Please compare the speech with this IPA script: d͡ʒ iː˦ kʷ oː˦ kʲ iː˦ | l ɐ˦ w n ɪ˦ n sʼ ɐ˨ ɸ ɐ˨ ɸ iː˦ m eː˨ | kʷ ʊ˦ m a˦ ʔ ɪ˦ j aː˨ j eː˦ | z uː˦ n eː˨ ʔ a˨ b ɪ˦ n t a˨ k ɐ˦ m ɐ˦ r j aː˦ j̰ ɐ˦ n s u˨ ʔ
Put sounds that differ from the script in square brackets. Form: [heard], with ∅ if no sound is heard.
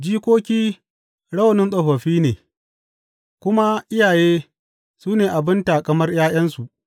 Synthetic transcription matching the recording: d͡ʒ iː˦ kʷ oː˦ kʲ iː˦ | [ɽ] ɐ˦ w n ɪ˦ n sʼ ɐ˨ ɸ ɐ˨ ɸ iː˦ [n] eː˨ | kʷ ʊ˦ m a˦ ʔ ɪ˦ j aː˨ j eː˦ | [s] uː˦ n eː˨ ʔ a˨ b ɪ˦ n t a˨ k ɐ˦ m ɐ˦ r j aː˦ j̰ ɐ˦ n s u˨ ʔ